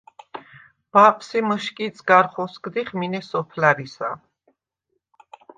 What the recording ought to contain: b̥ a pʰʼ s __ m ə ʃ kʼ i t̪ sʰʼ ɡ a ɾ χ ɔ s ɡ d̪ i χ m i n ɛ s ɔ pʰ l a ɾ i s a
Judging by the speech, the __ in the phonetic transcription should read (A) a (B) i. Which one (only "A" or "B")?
B